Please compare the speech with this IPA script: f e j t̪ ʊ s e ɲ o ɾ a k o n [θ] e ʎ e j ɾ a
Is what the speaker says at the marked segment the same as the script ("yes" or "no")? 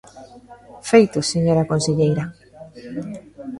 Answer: no